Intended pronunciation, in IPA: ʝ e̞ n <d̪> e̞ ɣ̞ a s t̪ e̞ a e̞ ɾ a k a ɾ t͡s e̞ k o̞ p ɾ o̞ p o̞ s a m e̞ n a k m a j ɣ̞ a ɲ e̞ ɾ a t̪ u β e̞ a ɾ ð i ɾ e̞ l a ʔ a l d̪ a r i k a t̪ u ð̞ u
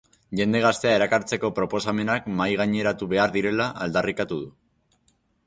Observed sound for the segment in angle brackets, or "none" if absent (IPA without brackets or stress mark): d̪